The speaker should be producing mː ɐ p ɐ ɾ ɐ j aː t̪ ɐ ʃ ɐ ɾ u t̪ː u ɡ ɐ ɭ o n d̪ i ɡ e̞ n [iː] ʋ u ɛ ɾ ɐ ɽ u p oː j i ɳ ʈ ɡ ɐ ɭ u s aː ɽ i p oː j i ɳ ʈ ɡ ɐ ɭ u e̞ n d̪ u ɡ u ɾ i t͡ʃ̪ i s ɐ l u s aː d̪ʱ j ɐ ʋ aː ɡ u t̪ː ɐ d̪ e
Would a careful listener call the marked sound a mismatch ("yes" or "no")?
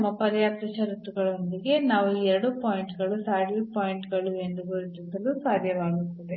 yes